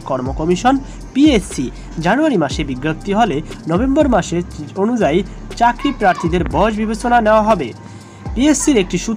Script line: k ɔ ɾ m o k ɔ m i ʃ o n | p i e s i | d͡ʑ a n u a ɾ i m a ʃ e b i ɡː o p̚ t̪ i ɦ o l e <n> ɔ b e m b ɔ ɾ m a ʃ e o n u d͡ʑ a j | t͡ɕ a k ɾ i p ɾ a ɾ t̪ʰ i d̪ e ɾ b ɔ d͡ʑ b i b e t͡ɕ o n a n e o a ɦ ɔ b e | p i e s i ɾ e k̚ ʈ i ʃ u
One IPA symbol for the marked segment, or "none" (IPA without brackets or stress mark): n